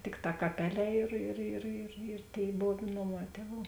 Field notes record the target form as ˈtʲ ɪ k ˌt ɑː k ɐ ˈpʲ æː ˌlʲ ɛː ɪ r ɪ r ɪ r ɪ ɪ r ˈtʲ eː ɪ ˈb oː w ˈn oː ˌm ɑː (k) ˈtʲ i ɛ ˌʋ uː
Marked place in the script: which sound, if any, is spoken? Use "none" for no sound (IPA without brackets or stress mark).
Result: none